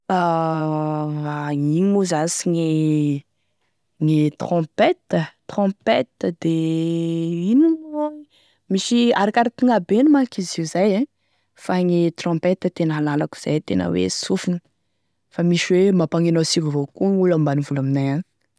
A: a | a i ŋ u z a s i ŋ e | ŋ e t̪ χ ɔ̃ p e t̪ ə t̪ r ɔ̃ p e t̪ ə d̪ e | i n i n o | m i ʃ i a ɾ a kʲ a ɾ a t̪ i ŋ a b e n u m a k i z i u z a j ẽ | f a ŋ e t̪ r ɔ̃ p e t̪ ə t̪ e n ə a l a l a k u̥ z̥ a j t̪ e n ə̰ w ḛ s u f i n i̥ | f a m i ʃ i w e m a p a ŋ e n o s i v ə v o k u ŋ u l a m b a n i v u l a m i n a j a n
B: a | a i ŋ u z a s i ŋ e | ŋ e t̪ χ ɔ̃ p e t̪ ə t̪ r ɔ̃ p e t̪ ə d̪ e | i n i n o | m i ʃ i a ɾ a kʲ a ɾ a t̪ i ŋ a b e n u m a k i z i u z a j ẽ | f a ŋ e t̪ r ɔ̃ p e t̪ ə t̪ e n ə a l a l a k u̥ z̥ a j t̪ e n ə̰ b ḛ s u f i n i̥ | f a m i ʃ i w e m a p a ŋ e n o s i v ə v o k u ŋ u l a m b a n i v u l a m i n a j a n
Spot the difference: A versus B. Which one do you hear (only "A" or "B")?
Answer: A